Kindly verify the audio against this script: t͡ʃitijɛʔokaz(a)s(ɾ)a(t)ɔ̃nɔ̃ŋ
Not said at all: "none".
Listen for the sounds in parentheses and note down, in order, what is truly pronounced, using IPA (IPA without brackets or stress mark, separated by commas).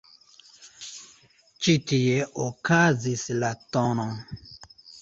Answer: i, l, t